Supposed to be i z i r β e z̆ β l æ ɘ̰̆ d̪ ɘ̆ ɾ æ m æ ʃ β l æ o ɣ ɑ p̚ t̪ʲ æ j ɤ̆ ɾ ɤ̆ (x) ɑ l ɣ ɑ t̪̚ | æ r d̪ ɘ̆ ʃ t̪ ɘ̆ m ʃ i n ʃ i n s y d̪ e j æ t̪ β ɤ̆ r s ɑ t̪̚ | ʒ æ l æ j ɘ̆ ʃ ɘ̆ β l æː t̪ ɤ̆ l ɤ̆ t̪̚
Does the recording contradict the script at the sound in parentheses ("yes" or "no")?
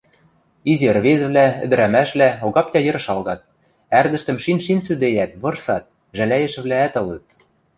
yes